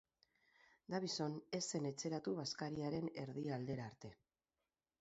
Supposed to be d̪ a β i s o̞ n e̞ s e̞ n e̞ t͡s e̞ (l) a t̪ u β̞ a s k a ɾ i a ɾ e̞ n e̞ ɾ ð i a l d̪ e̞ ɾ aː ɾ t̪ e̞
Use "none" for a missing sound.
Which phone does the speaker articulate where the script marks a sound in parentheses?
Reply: ɾ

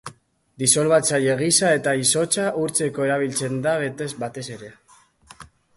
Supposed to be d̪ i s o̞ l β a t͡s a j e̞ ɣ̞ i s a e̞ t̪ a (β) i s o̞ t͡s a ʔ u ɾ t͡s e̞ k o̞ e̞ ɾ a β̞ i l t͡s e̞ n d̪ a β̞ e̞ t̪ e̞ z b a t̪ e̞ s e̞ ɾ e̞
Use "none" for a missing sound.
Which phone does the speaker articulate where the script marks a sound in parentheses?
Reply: none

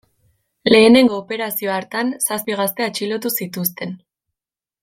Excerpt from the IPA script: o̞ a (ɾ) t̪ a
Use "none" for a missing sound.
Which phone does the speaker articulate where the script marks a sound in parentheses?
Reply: ɾ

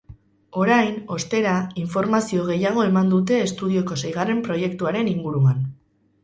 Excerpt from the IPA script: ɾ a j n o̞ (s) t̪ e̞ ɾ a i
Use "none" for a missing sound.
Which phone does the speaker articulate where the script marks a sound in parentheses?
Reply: s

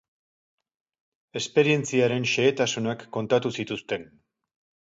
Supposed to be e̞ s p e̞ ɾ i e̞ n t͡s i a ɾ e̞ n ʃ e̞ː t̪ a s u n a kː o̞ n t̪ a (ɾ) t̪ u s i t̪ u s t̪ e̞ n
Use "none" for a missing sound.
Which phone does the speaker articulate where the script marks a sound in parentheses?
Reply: none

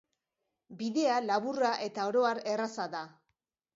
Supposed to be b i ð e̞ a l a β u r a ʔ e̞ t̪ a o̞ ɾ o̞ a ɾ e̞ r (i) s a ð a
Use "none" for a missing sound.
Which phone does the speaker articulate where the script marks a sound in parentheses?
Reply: a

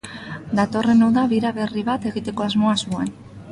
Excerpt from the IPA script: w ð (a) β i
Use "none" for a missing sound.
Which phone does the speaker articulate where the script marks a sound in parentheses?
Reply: a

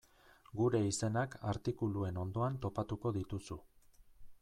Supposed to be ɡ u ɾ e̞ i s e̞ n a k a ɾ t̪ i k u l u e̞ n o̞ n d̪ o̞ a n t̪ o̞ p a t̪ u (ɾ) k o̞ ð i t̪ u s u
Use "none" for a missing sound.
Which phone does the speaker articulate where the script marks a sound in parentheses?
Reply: none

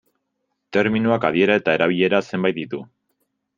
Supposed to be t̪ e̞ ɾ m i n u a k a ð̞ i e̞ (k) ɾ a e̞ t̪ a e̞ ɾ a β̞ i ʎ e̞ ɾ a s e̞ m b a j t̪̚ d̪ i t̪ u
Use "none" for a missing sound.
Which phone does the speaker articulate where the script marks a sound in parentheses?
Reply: none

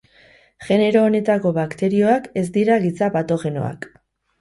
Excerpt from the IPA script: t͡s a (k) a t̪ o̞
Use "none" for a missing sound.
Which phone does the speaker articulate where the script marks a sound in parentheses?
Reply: p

